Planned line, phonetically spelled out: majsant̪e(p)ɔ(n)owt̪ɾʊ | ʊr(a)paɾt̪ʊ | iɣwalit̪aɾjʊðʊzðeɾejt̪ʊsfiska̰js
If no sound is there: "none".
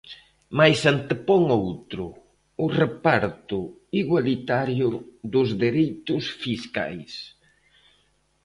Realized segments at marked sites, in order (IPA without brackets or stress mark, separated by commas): p, ŋ, e